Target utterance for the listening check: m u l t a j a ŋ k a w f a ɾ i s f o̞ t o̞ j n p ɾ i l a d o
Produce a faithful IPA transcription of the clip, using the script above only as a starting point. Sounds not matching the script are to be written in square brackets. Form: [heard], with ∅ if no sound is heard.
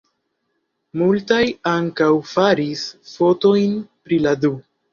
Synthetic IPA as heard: m u l t a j a ŋ k a w f a ɾ i s f o̞ t o̞ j n p ɾ i l a d [u]